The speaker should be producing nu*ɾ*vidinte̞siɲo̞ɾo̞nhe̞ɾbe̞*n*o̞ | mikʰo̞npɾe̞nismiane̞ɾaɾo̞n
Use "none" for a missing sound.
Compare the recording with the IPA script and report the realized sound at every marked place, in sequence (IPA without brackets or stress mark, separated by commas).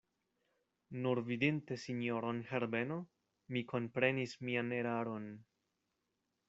ɾ, n